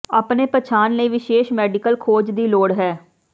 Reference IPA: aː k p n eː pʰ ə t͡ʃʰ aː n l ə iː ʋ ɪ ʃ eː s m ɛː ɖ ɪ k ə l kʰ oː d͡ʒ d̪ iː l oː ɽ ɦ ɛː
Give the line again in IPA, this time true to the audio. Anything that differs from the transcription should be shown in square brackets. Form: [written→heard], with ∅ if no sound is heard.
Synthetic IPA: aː [k→∅] p n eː [pʰ→p] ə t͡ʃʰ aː n l ə iː ʋ ɪ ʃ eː [s→ʃ] m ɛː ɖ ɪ k ə l kʰ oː d͡ʒ d̪ iː l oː ɽ ɦ ɛː

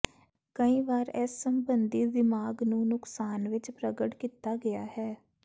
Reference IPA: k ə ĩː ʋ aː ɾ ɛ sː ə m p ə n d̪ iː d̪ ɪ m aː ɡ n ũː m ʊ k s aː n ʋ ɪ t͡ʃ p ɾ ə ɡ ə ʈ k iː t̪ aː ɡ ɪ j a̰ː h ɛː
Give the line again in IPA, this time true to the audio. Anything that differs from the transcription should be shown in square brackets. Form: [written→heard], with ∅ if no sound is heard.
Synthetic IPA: k ə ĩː ʋ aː ɾ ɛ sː ə m [p→b] ə n d̪ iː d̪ ɪ m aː ɡ n ũː [m→n] ʊ k s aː n ʋ ɪ t͡ʃ p ɾ ə ɡ ə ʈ k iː t̪ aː ɡ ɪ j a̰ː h ɛː

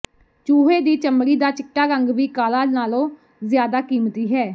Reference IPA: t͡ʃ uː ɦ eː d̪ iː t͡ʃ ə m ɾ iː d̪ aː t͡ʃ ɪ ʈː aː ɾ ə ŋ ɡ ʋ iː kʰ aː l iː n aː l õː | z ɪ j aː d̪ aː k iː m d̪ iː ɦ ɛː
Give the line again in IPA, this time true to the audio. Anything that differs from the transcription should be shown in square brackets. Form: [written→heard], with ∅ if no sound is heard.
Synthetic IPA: t͡ʃ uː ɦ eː d̪ iː t͡ʃ ə m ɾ iː d̪ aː t͡ʃ ɪ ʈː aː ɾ ə ŋ ɡ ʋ iː [kʰ→k] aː l [iː→aː] n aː l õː | z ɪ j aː d̪ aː k iː m [d̪→t̪] iː ɦ ɛː

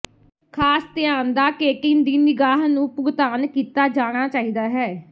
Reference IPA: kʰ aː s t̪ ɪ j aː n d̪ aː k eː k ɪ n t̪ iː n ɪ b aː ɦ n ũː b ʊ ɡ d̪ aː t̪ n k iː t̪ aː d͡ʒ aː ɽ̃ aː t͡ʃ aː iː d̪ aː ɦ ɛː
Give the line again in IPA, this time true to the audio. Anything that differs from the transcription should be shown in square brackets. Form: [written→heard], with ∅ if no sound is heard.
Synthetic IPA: kʰ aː s t̪ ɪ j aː n d̪ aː k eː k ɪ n [t̪→d̪] iː n ɪ [b→ɡ] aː ɦ n ũː [b→p] ʊ ɡ [d̪→t̪] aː [t̪→∅] n k iː t̪ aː d͡ʒ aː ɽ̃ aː t͡ʃ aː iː d̪ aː ɦ ɛː

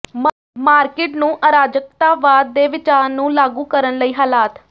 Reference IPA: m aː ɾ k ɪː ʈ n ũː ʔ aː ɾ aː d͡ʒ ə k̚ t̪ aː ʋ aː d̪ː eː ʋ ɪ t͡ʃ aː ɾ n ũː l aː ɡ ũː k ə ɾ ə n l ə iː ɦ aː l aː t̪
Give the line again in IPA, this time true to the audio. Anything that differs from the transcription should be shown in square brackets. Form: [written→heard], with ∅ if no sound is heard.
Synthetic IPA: m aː ɾ k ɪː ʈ n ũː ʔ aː ɾ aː d͡ʒ ə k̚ t̪ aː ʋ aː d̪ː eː ʋ ɪ t͡ʃ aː ɾ n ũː l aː ɡ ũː k ə ɾ ə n l ə iː ɦ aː l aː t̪

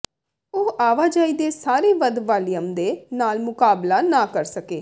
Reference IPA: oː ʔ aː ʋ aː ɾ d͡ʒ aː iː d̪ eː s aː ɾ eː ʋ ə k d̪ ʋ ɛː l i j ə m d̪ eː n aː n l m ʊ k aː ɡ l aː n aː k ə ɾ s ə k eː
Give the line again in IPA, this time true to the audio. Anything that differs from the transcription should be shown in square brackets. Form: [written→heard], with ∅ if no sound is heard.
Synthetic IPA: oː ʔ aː ʋ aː [ɾ→∅] d͡ʒ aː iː d̪ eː s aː ɾ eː ʋ ə [k→∅] d̪ ʋ [ɛː→aː] l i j ə m d̪ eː n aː [n→∅] l m ʊ k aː [ɡ→b] l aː n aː k ə ɾ s ə k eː

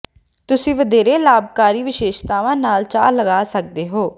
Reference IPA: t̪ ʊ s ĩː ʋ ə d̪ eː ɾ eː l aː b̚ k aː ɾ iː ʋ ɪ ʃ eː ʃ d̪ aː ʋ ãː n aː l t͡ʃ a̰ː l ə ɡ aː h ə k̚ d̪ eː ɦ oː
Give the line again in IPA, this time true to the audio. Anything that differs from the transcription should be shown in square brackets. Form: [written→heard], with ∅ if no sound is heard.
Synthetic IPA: t̪ ʊ s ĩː ʋ ə d̪ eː ɾ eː l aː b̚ k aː ɾ iː ʋ ɪ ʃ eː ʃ [d̪→t̪] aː ʋ ãː n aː l t͡ʃ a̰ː l ə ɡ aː [h→s] ə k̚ d̪ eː ɦ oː

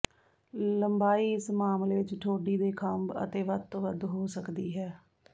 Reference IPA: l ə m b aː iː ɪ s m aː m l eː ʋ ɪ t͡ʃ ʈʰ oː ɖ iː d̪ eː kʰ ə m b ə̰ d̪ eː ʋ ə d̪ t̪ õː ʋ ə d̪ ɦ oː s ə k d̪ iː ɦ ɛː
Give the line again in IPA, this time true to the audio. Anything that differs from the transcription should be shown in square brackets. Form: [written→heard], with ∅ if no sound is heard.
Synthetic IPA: l ə m b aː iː ɪ s m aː m l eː ʋ ɪ t͡ʃ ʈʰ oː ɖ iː d̪ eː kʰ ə m b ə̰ [d̪→t̪] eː ʋ ə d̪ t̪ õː ʋ ə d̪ ɦ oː s ə k d̪ iː ɦ ɛː

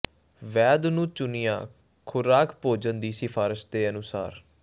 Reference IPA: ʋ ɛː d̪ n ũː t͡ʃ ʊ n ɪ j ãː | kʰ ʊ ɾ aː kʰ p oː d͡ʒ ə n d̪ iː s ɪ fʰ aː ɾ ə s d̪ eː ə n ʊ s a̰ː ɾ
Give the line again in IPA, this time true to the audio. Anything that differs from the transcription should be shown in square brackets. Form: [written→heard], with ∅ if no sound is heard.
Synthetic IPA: ʋ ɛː d̪ n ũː t͡ʃ ʊ n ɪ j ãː | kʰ ʊ ɾ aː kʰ p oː d͡ʒ ə n d̪ iː s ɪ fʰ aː ɾ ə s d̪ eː ə n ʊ s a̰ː ɾ

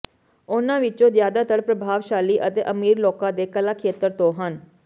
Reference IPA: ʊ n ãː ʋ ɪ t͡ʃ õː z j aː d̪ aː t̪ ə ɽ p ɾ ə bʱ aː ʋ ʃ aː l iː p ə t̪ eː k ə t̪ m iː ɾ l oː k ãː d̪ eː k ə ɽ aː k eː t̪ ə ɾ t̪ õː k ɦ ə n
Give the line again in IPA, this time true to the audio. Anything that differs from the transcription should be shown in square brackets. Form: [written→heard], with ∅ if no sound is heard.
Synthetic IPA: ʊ n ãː ʋ ɪ t͡ʃ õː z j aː d̪ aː t̪ ə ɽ p ɾ ə bʱ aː ʋ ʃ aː l iː [p→ʔ] ə t̪ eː [k→ʔ] ə [t̪→∅] m iː ɾ l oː k ãː d̪ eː k ə [ɽ→l] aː [k→kʰ] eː t̪ ə ɾ t̪ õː [k→∅] ɦ ə n

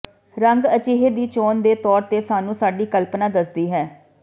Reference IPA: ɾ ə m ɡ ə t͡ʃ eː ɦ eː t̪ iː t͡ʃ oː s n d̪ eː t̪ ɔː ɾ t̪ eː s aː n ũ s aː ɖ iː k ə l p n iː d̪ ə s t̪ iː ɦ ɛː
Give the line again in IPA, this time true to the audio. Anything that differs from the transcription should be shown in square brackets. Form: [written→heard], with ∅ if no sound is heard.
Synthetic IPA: ɾ ə [m→ŋ] ɡ ə t͡ʃ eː ɦ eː [t̪→d̪] iː t͡ʃ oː [s→∅] n d̪ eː t̪ ɔː ɾ t̪ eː s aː n [ũ→ũː] s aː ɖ iː k ə l p n [iː→aː] d̪ ə s [t̪→d̪] iː ɦ ɛː

